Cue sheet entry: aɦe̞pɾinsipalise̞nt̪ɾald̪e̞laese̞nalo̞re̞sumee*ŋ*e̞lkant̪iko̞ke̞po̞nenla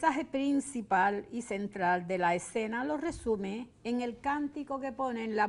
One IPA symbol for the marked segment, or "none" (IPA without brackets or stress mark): ŋ